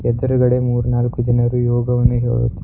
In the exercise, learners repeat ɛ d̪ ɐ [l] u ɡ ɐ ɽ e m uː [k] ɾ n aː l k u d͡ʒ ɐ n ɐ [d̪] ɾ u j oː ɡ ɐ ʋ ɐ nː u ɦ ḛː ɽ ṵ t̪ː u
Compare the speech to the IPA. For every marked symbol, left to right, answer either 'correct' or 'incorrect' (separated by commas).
incorrect, incorrect, incorrect